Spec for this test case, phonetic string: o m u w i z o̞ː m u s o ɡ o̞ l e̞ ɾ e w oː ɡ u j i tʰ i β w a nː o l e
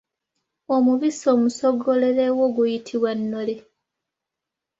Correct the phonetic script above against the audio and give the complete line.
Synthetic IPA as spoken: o m u β i s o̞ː m u s o ɡ o̞ l e̞ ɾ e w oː ɡ u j i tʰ i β w a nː o l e